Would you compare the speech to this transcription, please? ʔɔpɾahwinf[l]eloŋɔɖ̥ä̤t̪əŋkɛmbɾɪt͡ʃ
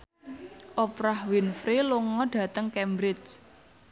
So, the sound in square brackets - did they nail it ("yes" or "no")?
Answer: no